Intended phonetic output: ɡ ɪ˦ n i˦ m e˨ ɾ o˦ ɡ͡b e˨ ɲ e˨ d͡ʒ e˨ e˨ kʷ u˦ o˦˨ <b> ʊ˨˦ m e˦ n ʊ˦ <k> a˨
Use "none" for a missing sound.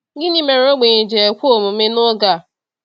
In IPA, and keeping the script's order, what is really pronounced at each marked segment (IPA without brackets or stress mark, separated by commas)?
m, ɡ